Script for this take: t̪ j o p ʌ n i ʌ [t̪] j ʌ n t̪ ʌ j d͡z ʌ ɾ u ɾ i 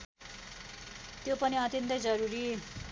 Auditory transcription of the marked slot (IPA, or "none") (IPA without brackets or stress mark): t̪